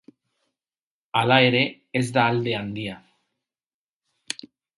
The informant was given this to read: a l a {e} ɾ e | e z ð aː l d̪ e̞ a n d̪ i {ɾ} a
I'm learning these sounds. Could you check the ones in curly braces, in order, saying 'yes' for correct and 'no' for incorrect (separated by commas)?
yes, no